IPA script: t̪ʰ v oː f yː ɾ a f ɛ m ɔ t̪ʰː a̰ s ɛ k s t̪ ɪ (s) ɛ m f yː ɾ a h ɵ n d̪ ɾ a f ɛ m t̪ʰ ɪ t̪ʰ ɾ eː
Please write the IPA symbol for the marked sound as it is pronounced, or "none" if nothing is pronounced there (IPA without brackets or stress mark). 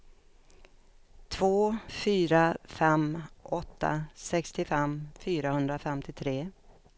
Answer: f